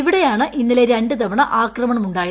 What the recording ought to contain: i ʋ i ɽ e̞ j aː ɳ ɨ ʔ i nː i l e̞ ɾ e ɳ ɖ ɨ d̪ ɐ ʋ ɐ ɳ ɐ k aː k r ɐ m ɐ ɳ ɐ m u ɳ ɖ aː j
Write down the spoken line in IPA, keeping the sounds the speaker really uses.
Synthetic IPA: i ʋ i ɽ e̞ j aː ɳ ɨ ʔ i nː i l e̞ ɾ e ɳ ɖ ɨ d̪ ɐ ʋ ɐ ɳ ɐ ʔ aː k r ɐ m ɐ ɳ ɐ m u ɳ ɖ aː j